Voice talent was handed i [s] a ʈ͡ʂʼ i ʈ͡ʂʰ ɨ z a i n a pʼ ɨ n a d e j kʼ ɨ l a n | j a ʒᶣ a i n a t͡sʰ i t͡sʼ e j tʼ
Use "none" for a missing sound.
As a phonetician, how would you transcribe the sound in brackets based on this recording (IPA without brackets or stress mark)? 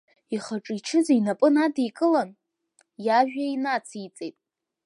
χ